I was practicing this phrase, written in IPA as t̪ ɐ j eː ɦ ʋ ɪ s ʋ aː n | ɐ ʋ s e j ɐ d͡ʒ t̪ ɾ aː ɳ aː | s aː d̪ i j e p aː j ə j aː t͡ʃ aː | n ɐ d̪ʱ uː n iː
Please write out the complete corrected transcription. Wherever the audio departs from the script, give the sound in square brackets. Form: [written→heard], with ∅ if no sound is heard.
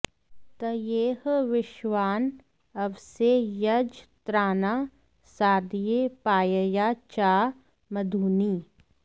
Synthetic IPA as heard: t̪ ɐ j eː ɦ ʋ ɪ [s→ʃ] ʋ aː n | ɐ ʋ s e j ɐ d͡ʒ t̪ ɾ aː [ɳ→n] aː | s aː d̪ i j e p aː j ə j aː t͡ʃ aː | [n→m] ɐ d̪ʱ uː n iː